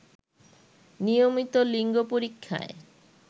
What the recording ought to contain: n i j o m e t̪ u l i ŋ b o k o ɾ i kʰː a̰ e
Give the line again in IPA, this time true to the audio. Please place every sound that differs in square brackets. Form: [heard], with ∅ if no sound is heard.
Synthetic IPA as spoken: n i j o m [i] t̪ [o] l i ŋ [ɡ] o [p] o ɾ i kʰː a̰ e